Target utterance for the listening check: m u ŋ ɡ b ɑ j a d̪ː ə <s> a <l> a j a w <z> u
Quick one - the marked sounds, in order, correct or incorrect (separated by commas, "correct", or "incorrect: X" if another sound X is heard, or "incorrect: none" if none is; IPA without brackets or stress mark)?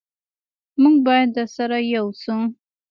correct, incorrect: ɾ, incorrect: s